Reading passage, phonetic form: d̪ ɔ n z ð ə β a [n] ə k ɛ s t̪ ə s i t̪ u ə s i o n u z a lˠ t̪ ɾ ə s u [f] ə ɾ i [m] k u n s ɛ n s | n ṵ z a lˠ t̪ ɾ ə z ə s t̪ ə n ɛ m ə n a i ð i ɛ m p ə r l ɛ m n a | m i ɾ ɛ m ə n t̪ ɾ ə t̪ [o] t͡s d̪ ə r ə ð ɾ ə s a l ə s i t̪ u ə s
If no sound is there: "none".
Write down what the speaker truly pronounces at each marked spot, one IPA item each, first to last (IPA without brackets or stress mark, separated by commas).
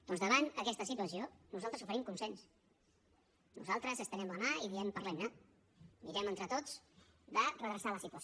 n, f, m, o